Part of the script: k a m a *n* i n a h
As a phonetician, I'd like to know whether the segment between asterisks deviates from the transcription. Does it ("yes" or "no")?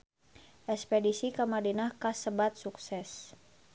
yes